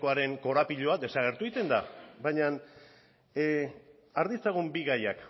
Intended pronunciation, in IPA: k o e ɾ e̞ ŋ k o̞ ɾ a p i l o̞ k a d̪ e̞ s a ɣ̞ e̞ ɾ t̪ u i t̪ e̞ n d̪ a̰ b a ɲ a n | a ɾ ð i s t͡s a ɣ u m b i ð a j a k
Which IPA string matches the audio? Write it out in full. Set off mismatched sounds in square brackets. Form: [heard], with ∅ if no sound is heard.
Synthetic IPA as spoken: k o [a] ɾ e̞ ŋ k o̞ ɾ a p i [ʎ] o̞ [∅] a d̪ e̞ s a ɣ̞ e̞ ɾ t̪ u i t̪ e̞ n d̪ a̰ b a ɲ a n | a ɾ ð i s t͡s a ɣ u m b i [ɣ] a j a k